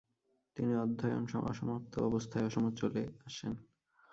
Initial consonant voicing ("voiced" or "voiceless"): voiceless